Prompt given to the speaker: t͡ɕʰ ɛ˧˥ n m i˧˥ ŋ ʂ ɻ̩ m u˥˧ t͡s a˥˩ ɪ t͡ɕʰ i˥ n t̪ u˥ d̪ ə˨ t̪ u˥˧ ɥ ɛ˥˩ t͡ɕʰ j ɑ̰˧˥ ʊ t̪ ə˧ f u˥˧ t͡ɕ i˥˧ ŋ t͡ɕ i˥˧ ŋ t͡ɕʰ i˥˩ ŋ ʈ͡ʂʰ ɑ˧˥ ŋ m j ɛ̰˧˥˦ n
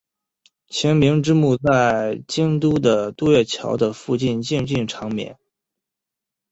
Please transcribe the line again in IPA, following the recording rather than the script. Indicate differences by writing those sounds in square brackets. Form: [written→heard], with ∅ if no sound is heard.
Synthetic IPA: t͡ɕʰ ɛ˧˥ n m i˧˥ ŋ [ʂ→ʈ͡ʂ] ɻ̩ m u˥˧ t͡s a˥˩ ɪ [t͡ɕʰ→t͡ɕ] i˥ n t̪ u˥ d̪ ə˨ t̪ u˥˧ ɥ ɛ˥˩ t͡ɕʰ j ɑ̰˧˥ ʊ [t̪→d̪] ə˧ f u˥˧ t͡ɕ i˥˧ [ŋ→n] t͡ɕ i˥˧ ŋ [t͡ɕʰ→t͡ɕ] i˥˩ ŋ ʈ͡ʂʰ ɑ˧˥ ŋ m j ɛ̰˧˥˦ n